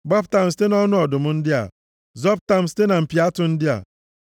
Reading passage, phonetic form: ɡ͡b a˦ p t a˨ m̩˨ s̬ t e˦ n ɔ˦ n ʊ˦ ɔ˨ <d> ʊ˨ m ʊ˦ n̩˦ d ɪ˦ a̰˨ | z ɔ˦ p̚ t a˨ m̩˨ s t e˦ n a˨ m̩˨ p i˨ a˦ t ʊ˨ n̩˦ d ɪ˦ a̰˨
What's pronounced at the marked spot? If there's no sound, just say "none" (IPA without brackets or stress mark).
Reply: d